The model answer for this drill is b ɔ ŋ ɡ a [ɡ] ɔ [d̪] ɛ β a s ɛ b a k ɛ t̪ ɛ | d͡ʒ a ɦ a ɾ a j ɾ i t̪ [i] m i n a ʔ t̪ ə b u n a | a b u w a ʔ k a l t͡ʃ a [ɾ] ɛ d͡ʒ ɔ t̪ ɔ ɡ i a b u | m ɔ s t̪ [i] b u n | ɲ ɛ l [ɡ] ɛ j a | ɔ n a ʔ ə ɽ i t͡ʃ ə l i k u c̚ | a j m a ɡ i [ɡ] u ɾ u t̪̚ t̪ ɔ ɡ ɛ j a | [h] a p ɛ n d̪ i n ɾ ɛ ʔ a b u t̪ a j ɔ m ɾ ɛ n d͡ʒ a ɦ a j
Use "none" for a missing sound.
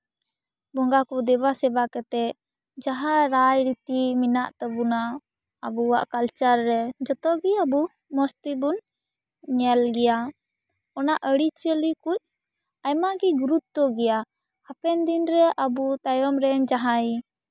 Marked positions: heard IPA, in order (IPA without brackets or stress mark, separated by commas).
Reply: k, d̪, i, ɾː, i, ɡ, ɡ, h